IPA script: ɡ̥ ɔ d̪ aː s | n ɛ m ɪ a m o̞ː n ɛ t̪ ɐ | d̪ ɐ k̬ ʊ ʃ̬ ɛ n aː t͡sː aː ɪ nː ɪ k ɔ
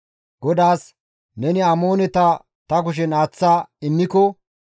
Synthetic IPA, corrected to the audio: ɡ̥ ɔ d̪ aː s | n ɛ n ɪ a m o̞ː n ɛ t̪ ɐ | t̪ ɐ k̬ ʊ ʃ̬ ɛ n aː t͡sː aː ɪ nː ɪ k ɔ